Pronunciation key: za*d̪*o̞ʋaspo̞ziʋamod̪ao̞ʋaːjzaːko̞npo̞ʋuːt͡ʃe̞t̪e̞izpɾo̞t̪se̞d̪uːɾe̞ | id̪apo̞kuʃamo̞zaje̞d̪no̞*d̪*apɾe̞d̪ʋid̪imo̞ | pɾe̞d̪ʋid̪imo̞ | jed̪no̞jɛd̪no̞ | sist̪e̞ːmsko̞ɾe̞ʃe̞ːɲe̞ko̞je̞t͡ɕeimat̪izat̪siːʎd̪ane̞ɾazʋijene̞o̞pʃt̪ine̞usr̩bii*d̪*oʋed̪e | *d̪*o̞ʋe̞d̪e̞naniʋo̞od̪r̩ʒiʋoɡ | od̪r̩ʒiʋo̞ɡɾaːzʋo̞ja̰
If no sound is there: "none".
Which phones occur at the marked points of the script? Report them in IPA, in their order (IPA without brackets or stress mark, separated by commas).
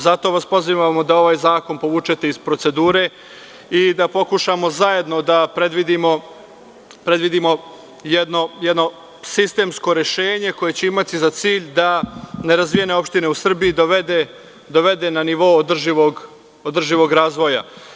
t̪, d̪, d̪, d̪